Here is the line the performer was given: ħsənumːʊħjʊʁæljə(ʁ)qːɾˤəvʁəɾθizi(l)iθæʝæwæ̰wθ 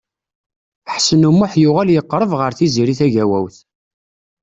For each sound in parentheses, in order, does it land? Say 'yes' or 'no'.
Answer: no, no

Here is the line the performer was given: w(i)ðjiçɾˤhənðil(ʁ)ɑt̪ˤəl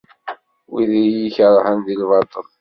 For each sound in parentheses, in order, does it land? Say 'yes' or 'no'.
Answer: yes, no

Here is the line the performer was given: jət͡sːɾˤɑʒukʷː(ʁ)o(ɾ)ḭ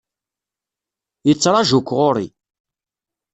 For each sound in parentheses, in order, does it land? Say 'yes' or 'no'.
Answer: yes, yes

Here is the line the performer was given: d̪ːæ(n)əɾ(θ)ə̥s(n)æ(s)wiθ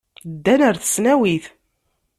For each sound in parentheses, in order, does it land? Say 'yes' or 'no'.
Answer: yes, yes, yes, no

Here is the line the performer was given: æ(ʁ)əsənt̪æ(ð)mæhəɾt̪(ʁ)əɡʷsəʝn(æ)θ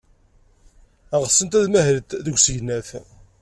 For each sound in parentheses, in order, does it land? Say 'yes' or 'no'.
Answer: yes, yes, no, yes

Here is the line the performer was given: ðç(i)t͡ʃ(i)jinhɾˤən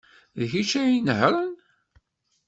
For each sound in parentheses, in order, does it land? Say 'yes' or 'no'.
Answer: yes, no

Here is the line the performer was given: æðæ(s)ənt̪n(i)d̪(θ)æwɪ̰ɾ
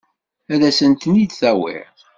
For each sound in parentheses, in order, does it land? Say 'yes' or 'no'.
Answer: yes, yes, yes

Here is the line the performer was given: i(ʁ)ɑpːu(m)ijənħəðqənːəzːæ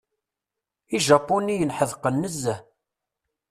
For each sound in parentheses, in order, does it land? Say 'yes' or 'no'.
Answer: no, no

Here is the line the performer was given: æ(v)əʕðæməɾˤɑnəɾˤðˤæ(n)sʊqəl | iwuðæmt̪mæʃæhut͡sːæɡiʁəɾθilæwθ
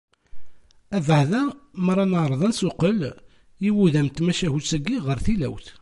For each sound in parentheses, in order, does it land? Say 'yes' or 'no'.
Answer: yes, yes

